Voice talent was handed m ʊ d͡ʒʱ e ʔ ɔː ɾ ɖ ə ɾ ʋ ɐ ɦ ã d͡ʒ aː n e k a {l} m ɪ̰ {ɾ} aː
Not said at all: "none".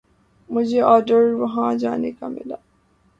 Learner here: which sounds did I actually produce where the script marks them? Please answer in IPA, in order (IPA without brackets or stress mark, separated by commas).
none, l